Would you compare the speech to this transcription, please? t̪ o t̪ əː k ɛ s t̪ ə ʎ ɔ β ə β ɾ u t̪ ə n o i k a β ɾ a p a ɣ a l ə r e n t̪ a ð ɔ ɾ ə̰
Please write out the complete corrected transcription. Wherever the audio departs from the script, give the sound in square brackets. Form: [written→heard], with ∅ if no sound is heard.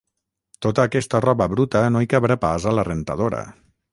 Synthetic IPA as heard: t̪ o t̪ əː k ɛ s t̪ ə [ʎ→r] ɔ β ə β ɾ u t̪ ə n o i k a β ɾ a p a [ɣ→z] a l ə r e n t̪ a ð [ɔ→o] ɾ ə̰